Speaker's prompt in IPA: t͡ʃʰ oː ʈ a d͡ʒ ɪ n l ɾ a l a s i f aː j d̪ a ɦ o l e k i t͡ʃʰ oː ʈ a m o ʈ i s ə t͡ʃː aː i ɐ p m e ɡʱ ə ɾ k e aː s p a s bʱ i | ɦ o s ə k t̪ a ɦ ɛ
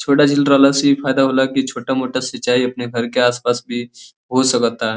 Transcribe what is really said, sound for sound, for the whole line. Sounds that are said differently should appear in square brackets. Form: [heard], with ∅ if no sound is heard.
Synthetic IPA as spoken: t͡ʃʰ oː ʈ a d͡ʒ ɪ [∅] l ɾ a l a s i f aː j d̪ a ɦ o l [a] k i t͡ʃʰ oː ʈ a m o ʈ [a] s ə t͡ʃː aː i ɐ p [n] e ɡʱ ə ɾ k e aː s p a s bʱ i | ɦ o s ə k t̪ a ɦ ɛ